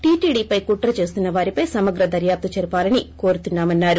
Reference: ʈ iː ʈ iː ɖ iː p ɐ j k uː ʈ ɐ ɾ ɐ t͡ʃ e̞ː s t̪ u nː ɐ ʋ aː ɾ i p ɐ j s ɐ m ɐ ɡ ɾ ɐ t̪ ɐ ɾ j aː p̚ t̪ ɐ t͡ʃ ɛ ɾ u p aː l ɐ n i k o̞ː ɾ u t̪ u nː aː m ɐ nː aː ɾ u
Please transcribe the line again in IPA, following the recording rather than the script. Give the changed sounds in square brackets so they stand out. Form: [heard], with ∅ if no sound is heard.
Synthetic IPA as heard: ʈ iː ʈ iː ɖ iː p ɐ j k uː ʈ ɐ ɾ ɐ t͡ʃ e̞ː s t̪ u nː ɐ ʋ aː ɾ i p ɐ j s ɐ m ɐ ɡ ɾ ɐ [d̪] ɐ ɾ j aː p̚ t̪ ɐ t͡ʃ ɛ ɾ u p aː l ɐ n i k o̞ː ɾ u t̪ u nː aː m ɐ nː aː ɾ u